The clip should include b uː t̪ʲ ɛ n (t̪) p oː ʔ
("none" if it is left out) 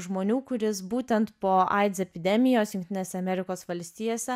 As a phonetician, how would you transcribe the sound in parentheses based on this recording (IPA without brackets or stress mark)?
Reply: t̪